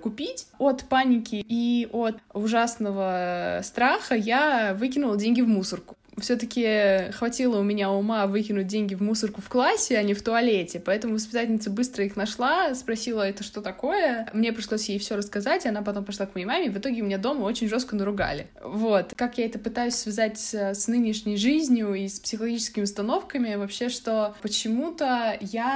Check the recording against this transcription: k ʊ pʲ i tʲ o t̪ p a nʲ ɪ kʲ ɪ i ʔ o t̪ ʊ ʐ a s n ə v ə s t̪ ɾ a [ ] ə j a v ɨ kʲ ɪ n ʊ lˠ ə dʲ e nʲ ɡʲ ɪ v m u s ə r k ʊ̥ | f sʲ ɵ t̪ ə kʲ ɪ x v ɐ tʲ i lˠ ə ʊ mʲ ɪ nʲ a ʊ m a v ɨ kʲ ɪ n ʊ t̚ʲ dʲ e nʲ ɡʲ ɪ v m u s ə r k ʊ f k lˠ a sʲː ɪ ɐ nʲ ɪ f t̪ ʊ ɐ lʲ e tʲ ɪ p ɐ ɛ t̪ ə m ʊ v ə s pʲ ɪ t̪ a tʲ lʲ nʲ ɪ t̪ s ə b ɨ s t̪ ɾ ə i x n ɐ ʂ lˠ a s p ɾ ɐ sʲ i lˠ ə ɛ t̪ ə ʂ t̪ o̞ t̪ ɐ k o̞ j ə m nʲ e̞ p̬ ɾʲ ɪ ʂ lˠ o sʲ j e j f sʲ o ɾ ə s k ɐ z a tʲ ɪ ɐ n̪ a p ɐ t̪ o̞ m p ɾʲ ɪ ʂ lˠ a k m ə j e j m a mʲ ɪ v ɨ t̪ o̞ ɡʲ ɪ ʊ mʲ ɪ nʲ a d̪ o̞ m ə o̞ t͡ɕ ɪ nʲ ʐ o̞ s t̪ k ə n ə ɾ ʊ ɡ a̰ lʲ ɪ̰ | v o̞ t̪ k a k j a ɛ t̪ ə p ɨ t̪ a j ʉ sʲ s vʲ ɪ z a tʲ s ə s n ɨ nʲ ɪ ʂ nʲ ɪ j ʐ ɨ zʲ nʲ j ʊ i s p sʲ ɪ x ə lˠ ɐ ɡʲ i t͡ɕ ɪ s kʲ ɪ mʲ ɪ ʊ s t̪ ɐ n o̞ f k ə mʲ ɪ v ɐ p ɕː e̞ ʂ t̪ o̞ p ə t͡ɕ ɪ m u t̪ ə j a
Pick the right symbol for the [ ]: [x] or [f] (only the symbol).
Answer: x